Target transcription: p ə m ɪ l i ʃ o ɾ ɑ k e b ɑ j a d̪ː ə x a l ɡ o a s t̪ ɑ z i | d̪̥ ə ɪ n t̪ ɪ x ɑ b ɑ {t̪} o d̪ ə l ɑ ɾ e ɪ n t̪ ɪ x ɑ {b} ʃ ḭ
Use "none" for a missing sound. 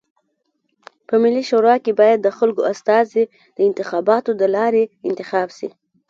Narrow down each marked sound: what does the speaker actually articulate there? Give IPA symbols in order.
t̪, b

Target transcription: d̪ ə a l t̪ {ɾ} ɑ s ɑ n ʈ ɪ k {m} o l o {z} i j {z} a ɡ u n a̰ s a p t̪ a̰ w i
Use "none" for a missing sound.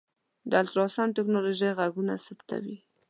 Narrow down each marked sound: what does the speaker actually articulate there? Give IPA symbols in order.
ɾ, n, ʒ, ɣ

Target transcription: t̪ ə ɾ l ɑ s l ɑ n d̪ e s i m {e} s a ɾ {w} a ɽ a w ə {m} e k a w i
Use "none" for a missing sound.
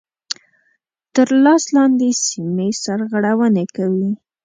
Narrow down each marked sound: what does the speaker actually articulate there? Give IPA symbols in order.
e, ɣ, n

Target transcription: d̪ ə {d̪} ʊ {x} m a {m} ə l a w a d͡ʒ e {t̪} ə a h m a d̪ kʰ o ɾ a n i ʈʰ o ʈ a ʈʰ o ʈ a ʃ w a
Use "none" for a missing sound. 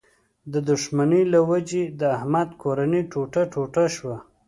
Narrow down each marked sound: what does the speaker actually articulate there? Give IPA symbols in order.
d̪, ʂ, n, d̪

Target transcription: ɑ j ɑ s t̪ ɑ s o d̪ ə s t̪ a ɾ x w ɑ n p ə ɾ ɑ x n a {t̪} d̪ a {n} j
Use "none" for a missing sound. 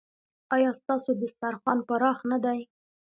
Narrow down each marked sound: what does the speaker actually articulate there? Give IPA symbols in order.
none, none

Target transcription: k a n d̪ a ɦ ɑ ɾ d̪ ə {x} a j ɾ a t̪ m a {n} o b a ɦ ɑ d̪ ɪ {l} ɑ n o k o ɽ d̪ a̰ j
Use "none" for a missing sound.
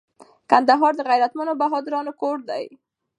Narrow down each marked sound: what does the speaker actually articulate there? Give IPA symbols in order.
ɣ, n, ɾ

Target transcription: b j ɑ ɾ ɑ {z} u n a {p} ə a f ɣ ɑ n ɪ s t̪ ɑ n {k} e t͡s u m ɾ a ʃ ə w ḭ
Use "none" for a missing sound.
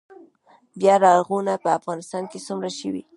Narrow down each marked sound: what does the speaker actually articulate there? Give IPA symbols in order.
ɣ, p, k

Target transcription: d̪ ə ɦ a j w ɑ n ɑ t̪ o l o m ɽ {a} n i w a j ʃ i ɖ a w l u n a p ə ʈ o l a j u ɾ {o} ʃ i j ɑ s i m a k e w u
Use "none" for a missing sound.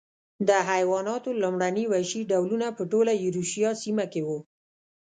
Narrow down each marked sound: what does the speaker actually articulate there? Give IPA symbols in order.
a, u

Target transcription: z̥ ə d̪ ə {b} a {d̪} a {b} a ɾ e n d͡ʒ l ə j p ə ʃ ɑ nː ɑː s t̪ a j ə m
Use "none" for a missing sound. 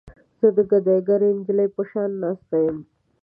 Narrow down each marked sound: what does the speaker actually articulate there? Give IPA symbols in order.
ɡ, d̪, ɡ

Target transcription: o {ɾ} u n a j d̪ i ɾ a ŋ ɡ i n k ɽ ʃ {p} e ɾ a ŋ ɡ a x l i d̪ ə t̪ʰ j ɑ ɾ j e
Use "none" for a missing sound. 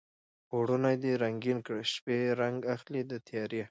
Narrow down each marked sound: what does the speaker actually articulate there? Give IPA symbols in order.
ɽ, p

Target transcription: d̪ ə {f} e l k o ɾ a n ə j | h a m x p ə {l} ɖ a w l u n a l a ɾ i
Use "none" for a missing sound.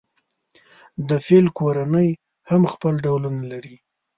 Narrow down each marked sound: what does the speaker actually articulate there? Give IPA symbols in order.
f, l

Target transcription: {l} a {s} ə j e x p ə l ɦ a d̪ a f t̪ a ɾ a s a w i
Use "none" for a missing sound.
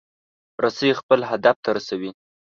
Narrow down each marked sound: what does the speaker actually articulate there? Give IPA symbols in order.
ɾ, s

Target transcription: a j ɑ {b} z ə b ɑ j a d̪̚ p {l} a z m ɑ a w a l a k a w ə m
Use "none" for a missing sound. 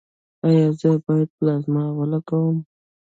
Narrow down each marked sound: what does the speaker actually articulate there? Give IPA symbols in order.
none, l

